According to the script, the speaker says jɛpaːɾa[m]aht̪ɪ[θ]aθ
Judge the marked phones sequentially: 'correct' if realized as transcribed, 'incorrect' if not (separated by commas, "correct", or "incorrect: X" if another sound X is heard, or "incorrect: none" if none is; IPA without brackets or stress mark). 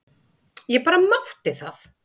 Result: correct, correct